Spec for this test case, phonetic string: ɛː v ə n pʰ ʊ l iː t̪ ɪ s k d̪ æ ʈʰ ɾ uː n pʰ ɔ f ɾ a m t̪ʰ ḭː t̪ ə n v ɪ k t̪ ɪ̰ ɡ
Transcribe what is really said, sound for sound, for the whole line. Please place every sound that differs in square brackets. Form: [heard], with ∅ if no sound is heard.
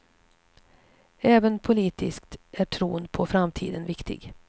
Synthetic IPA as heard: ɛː v ə n pʰ ʊ l iː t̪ ɪ s k [t̪] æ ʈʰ ɾ uː n pʰ ɔ f ɾ a m t̪ʰ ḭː [d̪] ə n v ɪ k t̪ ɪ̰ ɡ